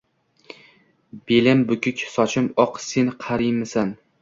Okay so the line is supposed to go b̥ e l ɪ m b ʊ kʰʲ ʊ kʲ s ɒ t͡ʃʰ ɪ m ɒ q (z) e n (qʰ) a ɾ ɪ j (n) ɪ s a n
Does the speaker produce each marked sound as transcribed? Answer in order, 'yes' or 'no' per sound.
no, yes, no

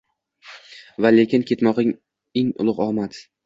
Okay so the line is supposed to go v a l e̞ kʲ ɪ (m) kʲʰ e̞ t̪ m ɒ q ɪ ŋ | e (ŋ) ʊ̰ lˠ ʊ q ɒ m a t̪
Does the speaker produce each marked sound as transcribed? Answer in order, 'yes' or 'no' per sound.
no, yes

